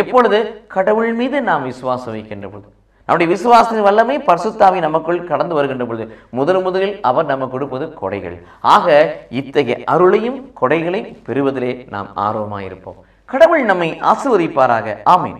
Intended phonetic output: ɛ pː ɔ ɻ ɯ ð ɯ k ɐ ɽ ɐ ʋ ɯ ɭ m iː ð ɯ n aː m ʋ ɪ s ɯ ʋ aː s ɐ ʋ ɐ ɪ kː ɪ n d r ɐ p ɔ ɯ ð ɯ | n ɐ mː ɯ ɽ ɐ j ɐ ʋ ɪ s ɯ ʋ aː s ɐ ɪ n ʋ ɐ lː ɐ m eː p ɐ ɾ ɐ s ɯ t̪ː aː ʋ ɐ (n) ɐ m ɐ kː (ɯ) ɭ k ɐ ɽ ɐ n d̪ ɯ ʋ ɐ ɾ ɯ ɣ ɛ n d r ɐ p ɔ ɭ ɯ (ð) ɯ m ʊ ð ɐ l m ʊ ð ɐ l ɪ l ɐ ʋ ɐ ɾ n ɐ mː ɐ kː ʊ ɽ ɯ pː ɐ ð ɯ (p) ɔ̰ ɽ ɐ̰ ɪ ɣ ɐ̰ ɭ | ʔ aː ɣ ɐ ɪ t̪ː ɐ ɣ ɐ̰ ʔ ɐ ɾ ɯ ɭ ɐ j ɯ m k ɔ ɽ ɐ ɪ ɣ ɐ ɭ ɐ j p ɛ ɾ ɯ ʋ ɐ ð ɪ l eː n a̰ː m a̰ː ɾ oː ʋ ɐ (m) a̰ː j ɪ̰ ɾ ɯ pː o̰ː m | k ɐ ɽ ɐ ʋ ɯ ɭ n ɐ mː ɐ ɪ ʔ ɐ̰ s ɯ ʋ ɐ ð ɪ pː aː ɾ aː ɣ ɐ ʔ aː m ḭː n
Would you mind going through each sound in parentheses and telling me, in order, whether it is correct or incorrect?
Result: correct, correct, correct, incorrect: k, correct

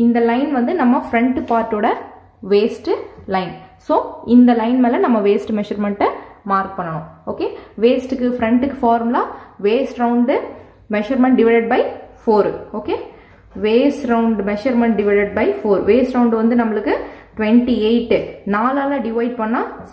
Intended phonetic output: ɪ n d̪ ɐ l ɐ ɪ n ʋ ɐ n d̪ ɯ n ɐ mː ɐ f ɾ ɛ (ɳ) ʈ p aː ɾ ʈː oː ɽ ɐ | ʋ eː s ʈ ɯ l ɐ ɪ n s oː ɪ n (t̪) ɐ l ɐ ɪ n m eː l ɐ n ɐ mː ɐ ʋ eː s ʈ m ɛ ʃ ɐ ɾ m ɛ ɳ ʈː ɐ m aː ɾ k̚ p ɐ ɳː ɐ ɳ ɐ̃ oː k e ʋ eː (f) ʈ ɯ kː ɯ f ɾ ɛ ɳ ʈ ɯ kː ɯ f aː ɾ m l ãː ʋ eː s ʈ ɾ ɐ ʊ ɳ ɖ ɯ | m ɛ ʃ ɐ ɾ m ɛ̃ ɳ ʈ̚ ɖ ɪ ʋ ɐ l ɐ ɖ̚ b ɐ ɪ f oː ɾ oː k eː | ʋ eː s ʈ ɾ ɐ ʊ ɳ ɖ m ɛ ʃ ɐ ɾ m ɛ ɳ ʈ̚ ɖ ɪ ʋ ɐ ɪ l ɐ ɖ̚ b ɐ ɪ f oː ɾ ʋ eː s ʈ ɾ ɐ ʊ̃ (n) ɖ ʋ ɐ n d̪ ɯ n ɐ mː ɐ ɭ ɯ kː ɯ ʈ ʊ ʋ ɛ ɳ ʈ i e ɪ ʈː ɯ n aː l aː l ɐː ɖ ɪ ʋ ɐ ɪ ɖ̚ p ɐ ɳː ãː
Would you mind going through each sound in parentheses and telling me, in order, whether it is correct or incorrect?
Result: correct, incorrect: d̪, incorrect: s, incorrect: ɳ

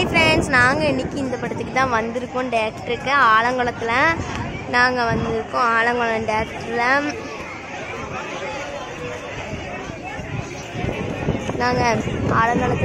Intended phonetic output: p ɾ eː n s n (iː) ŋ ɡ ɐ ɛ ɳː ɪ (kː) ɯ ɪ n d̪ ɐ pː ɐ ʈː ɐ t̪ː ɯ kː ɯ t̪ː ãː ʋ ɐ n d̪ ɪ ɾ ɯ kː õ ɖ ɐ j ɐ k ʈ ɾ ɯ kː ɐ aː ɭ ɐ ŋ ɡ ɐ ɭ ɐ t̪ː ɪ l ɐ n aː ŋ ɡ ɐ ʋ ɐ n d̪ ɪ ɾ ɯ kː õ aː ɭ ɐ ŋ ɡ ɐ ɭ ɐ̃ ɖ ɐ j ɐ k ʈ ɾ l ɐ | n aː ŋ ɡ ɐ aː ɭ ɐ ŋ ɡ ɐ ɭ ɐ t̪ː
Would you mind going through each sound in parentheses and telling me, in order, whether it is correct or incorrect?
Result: incorrect: aː, correct

